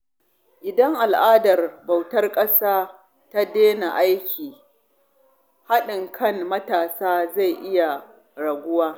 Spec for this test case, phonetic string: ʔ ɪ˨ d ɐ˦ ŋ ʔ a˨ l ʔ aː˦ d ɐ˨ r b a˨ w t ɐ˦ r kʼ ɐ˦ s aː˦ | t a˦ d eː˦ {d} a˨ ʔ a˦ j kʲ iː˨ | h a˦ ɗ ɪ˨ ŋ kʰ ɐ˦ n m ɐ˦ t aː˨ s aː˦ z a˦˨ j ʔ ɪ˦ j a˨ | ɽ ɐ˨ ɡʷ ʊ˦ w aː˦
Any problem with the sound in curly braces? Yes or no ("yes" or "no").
yes